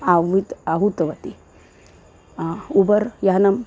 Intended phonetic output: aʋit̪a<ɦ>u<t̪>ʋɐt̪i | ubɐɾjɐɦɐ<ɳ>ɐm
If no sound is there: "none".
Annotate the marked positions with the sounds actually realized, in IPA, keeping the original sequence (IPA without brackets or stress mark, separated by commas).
ɦ, t̪, n